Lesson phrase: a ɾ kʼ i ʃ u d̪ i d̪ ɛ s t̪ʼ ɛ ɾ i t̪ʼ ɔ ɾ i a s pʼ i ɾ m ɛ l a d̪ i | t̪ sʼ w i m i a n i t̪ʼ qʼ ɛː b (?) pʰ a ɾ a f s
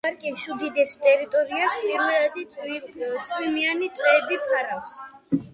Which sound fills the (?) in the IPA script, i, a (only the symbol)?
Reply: i